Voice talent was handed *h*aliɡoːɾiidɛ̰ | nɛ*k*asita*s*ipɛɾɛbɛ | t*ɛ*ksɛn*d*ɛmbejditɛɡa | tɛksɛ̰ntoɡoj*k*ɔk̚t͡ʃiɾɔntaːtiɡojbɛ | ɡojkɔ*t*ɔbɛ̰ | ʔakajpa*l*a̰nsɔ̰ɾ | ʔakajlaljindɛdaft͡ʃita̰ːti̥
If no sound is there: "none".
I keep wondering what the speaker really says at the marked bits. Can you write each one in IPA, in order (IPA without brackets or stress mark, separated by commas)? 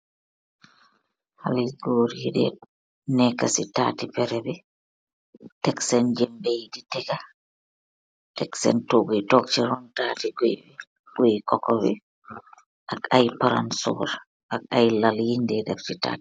h, k, t, ɛ, d͡ʒ, t, k, ɾ